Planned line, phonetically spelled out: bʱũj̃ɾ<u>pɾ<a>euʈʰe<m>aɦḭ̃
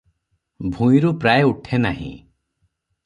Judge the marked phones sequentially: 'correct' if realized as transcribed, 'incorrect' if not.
correct, correct, incorrect: n

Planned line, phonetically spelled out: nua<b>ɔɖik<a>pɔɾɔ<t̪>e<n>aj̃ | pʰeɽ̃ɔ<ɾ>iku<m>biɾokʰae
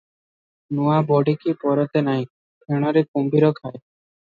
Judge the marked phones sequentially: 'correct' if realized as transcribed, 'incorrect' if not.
correct, incorrect: i, correct, correct, correct, correct

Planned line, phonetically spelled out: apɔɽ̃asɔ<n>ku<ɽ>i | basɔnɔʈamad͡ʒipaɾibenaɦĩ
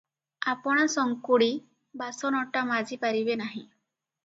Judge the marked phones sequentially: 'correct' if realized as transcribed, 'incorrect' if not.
incorrect: ŋ, correct

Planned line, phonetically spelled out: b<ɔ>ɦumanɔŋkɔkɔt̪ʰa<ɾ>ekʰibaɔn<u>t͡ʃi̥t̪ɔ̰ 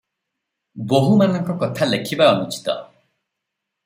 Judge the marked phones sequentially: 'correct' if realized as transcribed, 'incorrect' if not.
incorrect: o, incorrect: l, correct

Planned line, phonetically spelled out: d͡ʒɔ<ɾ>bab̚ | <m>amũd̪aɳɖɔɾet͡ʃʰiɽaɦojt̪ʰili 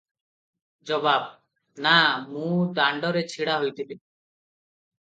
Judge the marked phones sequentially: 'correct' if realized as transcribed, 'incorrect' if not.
incorrect: none, incorrect: n

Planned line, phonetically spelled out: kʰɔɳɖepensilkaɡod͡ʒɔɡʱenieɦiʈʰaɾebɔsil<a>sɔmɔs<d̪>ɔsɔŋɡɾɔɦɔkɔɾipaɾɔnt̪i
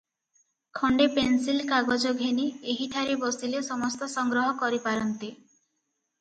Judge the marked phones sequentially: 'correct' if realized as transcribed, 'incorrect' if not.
incorrect: e, incorrect: t̪

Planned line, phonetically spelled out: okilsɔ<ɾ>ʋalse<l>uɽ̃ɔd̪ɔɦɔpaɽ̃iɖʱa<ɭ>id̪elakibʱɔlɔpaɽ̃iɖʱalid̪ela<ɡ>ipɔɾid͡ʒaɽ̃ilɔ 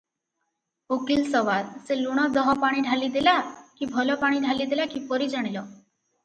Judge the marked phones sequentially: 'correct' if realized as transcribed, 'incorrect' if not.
incorrect: none, correct, incorrect: l, incorrect: k

